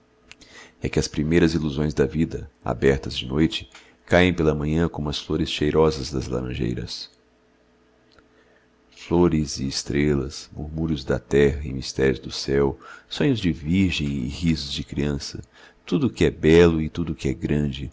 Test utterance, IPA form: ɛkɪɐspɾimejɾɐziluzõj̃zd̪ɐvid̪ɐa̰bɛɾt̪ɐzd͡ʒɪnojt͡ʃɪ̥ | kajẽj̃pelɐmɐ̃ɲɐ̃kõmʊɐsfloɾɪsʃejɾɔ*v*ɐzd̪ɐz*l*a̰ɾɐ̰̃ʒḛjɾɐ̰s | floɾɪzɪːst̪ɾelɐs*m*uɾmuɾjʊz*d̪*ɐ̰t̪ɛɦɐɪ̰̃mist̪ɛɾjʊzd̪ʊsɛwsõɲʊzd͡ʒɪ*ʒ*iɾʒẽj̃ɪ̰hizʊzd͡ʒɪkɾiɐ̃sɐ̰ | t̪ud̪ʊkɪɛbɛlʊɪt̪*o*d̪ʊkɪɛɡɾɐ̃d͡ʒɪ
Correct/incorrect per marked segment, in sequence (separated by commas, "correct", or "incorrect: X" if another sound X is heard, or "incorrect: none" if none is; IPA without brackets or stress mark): incorrect: z, correct, correct, correct, incorrect: v, incorrect: u